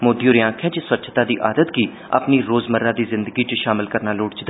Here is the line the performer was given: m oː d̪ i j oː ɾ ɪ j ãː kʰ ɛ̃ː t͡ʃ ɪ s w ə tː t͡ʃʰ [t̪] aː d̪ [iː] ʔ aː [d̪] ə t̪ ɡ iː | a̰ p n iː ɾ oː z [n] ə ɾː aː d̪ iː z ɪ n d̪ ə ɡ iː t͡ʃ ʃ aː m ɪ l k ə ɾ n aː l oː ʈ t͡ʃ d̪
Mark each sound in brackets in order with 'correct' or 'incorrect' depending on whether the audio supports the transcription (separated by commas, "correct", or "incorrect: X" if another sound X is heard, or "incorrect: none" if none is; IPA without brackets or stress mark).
correct, correct, correct, incorrect: m